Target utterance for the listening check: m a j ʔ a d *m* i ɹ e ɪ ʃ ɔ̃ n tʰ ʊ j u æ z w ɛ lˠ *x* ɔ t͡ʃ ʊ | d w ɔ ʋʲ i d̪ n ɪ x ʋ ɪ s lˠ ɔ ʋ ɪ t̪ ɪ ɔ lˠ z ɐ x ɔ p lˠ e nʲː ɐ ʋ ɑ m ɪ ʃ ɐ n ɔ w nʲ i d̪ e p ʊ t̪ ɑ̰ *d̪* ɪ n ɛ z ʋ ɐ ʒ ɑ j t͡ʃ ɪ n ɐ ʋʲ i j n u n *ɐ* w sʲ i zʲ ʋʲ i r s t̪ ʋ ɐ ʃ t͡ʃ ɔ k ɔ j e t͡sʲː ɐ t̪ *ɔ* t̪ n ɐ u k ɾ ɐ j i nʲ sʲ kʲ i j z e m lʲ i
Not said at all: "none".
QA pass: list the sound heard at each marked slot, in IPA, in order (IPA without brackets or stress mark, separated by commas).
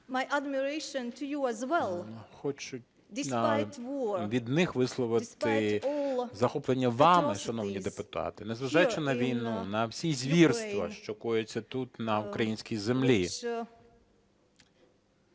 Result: m, x, t̪, ɐ, u